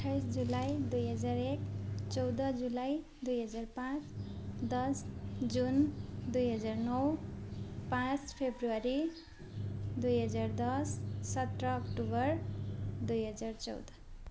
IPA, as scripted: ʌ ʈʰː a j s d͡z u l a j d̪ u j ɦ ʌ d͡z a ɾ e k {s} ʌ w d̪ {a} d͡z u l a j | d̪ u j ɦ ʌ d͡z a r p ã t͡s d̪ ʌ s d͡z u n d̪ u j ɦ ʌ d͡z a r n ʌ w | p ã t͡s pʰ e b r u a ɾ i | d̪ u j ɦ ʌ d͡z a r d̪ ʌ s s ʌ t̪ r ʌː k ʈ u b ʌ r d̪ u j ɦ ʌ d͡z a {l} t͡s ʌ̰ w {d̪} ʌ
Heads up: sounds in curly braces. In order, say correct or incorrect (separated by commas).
incorrect, incorrect, incorrect, correct